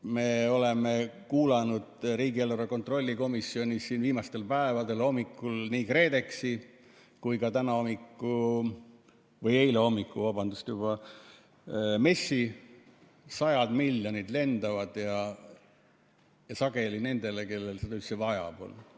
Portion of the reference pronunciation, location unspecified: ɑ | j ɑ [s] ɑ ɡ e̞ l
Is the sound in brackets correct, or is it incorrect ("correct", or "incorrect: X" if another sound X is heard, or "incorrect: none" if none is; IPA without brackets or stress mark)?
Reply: correct